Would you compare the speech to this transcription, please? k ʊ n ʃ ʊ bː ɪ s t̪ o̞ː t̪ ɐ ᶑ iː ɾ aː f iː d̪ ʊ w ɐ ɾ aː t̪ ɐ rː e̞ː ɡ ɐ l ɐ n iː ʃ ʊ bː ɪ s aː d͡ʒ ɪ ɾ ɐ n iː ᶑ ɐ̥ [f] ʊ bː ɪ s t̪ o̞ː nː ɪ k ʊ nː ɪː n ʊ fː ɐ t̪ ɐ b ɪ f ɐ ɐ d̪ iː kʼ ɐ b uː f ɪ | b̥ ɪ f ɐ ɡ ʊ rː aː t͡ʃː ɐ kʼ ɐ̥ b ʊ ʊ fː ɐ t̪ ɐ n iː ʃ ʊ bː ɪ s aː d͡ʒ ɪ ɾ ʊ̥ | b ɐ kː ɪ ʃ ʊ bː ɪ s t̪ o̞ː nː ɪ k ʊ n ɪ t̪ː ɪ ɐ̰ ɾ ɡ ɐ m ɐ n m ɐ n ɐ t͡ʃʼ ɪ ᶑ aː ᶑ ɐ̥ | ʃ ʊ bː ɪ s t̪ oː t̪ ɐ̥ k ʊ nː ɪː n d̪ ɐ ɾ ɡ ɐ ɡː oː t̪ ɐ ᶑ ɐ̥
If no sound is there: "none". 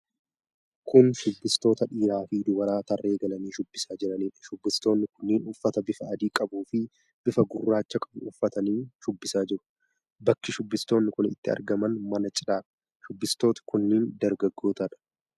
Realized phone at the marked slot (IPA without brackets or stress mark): ʃ